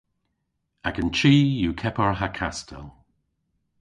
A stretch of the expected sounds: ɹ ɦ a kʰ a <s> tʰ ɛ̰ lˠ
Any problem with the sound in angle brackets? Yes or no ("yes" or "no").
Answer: no